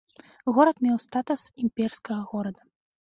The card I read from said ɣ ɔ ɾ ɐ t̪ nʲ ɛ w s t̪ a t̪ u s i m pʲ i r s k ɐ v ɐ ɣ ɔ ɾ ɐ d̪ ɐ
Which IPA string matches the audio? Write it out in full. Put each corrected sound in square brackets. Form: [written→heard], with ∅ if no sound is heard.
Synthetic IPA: ɣ ɔ ɾ ɐ t̪ [nʲ→mʲ] ɛ w s t̪ a t̪ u s i m pʲ [i→ɛ] r s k ɐ [v→ɣ] ɐ ɣ ɔ ɾ ɐ d̪ ɐ